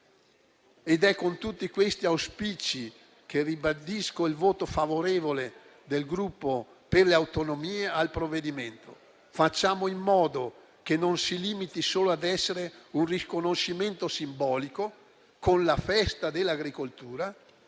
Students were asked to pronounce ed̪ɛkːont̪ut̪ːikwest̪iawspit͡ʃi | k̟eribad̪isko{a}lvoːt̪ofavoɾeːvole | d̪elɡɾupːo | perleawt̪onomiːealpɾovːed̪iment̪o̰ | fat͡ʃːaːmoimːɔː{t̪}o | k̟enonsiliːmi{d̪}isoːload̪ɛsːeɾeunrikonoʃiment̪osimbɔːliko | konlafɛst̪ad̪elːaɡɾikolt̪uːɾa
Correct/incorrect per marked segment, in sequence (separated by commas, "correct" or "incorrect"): incorrect, incorrect, incorrect